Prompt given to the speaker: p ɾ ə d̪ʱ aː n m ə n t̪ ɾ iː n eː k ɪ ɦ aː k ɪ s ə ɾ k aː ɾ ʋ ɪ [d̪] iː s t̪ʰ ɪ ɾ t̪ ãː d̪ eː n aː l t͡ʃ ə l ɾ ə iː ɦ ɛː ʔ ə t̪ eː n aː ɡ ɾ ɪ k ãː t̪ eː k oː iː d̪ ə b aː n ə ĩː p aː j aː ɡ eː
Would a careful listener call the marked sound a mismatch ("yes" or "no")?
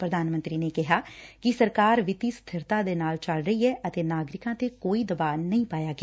yes